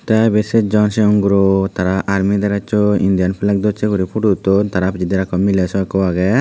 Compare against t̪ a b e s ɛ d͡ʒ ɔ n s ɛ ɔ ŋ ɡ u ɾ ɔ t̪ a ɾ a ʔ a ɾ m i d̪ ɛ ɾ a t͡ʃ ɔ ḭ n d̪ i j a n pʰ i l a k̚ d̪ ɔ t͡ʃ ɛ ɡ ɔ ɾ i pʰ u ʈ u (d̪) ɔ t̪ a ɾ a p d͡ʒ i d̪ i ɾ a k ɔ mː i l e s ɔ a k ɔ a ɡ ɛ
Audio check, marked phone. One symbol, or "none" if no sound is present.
t̪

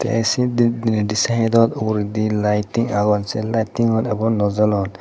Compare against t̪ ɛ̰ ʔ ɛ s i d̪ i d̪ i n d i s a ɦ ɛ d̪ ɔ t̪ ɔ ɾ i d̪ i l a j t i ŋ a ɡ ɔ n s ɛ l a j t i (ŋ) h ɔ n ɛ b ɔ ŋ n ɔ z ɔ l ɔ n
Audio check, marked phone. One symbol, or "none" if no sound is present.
ŋ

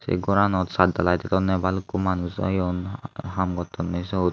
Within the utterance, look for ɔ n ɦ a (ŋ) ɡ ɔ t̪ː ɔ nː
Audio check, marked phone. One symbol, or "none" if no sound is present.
m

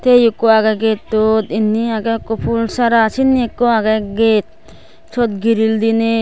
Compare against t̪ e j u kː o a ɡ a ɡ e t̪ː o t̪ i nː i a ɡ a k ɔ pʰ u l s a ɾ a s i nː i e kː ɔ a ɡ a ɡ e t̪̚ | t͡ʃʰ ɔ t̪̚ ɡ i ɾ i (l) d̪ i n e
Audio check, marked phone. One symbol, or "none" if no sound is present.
l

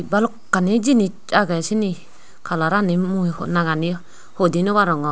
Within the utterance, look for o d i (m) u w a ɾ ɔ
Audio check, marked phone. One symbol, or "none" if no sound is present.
n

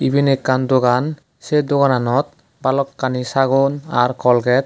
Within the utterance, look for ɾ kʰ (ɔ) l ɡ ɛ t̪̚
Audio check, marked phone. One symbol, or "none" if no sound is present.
ɔ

